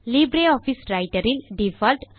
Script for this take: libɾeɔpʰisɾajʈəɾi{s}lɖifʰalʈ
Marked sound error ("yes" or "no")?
yes